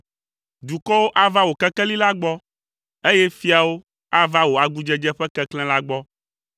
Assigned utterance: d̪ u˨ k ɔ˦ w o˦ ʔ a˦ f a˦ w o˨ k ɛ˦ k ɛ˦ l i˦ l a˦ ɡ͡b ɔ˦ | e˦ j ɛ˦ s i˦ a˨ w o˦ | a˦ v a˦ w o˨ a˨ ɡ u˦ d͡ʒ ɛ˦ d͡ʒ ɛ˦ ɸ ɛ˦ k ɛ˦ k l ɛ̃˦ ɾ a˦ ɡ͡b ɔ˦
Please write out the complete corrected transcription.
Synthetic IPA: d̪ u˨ k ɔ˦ w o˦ ʔ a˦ v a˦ w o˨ k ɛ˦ k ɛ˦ l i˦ l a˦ ɡ͡b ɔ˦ | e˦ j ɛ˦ f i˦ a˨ w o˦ | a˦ v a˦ w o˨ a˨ ɡ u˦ d͡ʒ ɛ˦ d͡ʒ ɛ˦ ɸ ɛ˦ k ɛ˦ k l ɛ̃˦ l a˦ ɡ͡b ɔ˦